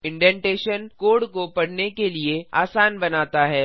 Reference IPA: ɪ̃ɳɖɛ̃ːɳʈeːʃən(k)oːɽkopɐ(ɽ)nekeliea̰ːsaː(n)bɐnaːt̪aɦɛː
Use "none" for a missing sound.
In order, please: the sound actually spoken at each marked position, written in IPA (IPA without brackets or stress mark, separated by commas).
k, ɽ, n